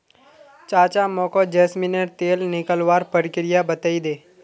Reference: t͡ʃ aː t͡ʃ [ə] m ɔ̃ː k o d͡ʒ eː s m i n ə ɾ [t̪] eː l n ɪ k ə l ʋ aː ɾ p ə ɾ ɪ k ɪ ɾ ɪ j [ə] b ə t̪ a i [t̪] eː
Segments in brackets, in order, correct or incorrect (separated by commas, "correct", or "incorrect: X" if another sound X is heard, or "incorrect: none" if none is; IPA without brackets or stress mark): incorrect: a, correct, incorrect: a, incorrect: d̪